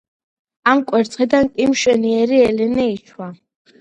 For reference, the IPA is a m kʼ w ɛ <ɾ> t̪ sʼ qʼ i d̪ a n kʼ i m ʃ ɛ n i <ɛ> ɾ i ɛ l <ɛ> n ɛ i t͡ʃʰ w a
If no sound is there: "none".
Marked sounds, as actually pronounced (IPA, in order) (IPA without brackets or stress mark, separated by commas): ɾ, ɛ, ɛ